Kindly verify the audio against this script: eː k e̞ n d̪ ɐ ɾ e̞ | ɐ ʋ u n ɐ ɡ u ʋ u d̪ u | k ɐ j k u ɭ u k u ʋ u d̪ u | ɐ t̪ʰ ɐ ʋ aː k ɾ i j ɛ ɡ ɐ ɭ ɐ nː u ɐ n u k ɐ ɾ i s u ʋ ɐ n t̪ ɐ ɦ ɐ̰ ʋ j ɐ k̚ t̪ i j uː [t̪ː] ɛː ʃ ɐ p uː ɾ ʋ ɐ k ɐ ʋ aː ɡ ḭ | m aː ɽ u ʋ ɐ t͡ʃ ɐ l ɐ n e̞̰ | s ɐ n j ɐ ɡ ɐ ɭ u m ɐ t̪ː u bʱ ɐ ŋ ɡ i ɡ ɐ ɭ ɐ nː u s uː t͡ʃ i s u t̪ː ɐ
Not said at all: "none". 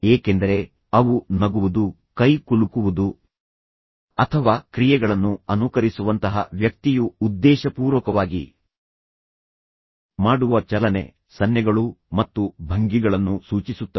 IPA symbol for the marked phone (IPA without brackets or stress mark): d̪ː